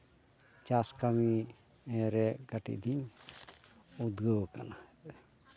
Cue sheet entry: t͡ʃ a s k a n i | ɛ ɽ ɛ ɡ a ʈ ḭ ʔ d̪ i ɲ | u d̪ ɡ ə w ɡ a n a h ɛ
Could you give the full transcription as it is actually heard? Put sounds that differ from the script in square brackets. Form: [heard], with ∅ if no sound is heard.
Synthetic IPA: t͡ʃ a s k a [m] i | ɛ [ɾ] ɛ ɡ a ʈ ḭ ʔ d̪ i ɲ | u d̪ ɡ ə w [k] a n a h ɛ